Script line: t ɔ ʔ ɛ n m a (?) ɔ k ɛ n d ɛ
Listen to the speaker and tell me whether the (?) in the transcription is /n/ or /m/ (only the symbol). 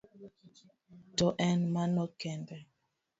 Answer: n